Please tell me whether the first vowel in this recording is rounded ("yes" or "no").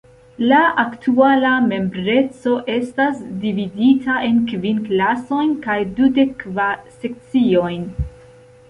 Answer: no